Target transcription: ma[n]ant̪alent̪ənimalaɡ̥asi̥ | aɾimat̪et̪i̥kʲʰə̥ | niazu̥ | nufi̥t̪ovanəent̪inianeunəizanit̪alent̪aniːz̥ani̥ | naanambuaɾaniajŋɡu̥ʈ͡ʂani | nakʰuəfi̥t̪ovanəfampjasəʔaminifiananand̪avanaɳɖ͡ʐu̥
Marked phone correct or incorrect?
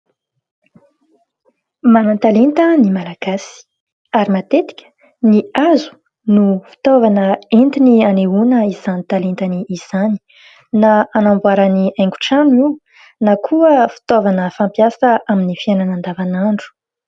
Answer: correct